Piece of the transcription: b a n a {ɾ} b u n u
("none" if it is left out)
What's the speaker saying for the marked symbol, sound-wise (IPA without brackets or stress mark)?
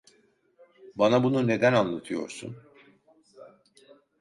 none